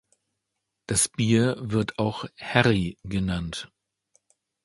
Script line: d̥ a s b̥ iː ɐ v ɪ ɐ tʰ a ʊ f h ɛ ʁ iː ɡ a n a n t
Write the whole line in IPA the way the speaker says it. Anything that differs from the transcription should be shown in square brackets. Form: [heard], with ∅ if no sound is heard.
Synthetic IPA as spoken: d̥ a s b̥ iː ɐ v ɪ ɐ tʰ a ʊ [x] h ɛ ʁ [i] ɡ [ə] n a n t